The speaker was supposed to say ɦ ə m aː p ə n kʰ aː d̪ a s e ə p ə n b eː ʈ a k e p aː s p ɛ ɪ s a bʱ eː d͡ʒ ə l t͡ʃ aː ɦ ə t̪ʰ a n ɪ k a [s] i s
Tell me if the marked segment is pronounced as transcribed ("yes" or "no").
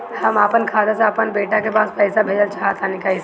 no